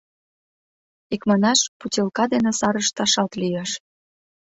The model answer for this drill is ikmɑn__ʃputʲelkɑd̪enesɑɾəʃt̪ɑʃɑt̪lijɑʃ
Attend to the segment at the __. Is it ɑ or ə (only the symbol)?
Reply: ɑ